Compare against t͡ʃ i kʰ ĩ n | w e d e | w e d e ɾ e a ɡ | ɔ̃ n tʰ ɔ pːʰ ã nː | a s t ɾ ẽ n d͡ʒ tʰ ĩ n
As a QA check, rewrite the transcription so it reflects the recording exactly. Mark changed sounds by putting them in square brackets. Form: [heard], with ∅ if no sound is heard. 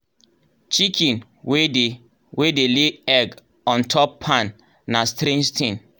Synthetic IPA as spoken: t͡ʃ i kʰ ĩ n | w e d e | w e d e [l] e [ɛ] ɡ | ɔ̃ n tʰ ɔ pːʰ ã nː | a s t ɾ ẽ n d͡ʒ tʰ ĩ n